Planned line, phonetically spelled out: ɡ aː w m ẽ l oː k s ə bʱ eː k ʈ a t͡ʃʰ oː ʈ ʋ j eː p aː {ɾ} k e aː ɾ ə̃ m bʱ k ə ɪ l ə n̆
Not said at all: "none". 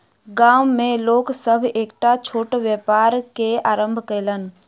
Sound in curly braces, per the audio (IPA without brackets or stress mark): ɾ